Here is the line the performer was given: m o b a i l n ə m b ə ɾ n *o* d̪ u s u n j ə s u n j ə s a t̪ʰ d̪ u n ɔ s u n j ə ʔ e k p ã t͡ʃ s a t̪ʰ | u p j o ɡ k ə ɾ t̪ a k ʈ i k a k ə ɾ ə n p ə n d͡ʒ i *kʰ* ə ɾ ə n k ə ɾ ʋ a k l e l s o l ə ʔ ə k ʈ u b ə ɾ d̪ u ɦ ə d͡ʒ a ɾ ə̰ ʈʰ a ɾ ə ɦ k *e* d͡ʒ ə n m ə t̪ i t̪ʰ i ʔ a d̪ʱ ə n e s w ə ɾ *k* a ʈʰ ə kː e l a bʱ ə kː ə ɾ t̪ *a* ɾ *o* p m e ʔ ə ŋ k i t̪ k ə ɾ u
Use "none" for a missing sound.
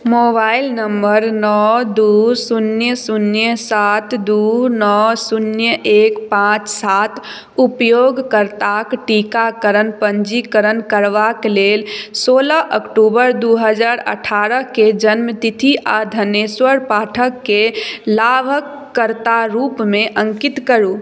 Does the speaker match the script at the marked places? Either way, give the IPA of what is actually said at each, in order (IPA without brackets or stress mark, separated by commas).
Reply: ɔ, k, e, p, a, u